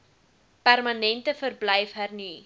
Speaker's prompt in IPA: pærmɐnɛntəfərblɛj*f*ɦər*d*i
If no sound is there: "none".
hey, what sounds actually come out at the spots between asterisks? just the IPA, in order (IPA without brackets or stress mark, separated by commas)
f, n